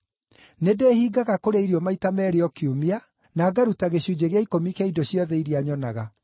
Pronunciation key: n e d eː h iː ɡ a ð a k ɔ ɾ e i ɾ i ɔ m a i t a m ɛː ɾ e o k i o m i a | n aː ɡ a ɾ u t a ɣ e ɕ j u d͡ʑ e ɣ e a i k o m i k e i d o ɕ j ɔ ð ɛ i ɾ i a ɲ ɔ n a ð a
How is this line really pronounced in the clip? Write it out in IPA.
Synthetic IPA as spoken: n e d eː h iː ɡ a ɣ a k o ɾ e i ɾ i ɔ m a i t a m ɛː ɾ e ɔ k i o m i a | n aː ɡ a ɾ u t a ɣ e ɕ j u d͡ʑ e ɣ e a i k o m i k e i d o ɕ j ɔ ð ɛ i ɾ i a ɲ ɔ n a ɣ a